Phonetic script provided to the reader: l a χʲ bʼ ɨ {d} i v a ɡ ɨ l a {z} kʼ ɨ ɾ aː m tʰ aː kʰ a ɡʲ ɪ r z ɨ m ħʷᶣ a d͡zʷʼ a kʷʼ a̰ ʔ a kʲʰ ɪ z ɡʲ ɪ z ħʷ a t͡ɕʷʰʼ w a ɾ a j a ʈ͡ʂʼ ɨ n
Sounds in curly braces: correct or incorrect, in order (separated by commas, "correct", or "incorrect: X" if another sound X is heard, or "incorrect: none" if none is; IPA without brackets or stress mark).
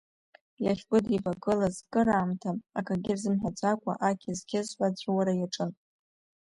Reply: correct, correct